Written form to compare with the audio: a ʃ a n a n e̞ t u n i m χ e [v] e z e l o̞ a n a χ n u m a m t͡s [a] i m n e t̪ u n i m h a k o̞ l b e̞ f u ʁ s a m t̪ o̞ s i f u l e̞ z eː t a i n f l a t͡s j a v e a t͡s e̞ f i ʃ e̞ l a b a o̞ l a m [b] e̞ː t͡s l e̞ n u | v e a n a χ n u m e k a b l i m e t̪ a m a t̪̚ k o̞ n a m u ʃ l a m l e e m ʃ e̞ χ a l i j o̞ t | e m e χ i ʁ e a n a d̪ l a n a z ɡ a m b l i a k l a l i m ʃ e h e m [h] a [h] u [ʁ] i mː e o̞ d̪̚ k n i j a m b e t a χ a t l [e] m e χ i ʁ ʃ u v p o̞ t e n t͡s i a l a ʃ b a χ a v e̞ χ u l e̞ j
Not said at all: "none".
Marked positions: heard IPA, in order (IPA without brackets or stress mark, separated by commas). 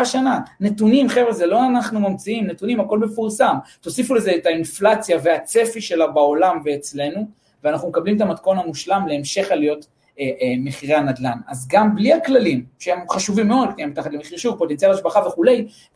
v, i, v, χ, ʃ, v, e